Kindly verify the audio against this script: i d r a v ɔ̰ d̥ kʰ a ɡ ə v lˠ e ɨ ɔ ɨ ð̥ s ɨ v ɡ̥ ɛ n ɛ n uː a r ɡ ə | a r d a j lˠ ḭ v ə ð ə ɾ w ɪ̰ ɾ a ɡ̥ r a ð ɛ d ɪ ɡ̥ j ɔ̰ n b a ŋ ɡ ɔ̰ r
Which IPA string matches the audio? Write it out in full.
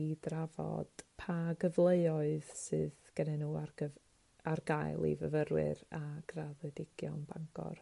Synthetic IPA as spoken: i d r a v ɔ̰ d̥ pʰ a ɡ ə v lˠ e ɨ ɔ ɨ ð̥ s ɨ ð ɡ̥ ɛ n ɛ n uː a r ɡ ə | a r ɡ a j lˠ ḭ v ə v ə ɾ w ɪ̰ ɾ a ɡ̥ r a ð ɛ d ɪ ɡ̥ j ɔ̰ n b a ŋ ɡ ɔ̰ r

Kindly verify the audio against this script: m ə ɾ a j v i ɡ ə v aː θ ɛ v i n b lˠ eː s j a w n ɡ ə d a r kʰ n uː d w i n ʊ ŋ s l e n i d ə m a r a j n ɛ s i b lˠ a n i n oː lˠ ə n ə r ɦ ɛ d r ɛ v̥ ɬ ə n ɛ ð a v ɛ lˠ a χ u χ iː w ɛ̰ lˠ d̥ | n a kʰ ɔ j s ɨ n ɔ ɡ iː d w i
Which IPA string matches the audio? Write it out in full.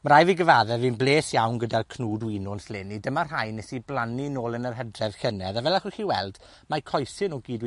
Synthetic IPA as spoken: m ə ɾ a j v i ɡ ə v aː ð ɛ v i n b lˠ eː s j a w n ɡ ə d a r kʰ n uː d w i n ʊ n s l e n i d ə m a r a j n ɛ s i b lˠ a n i n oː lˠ ə n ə r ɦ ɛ d r ɛ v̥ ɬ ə n ɛ ð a v ɛ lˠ a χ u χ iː w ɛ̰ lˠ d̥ | m a kʰ ɔ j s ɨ n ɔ ɡ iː d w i

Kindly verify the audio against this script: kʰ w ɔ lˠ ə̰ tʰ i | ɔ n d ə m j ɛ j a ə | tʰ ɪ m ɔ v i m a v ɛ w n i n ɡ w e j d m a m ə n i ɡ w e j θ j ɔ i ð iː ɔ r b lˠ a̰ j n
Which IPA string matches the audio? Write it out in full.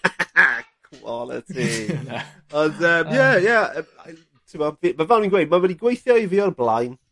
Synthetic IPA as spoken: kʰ w ɔ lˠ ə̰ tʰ i | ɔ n d ə m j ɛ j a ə | tʰ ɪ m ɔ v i m a v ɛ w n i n ɡ w e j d m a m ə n i ɡ w e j θ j ɔ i v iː ɔ r b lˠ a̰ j n

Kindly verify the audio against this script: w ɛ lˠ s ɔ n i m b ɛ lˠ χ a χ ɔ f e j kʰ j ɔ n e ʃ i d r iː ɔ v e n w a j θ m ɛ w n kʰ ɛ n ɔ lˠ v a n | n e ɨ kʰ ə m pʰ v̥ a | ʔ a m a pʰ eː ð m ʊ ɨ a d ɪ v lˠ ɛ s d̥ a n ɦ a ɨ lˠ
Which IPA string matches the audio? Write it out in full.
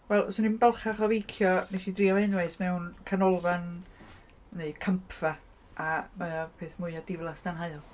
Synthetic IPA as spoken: w ɛ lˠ s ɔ n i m b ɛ lˠ χ a χ ɔ v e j kʰ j ɔ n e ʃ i d r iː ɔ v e n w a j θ m ɛ w n kʰ a n ɔ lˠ v a n | n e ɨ kʰ ə m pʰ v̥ a | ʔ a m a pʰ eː θ m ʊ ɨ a d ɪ v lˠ a s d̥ a n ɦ a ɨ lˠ

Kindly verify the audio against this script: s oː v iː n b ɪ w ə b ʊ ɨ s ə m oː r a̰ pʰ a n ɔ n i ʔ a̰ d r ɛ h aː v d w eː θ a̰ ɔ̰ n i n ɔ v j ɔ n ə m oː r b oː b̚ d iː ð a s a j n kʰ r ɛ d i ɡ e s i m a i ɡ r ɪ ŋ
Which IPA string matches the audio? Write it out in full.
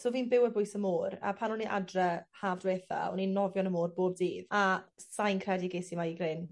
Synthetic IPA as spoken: s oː v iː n b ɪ w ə b ʊ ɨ s ə m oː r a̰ pʰ a n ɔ n i ʔ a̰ d r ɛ h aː v d w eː θ a̰ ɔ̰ n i n ɔ v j ɔ n ə m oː r b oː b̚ d iː ð a s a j n kʰ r ɛ d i ɡ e s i m a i ɡ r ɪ n

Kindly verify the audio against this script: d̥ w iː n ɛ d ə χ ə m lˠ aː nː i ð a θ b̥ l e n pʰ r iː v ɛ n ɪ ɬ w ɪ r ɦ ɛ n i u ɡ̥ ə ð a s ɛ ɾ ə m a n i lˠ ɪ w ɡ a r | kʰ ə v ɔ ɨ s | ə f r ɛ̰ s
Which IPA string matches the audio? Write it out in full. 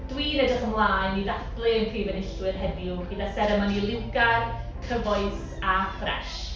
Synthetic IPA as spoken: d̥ w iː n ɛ d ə χ ə m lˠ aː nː i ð a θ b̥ l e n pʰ r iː v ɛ n ɪ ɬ w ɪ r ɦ ɛ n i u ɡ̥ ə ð a s ɛ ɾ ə m a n i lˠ ɪ w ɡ a r | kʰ ə v ɔ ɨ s | a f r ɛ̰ ʃ

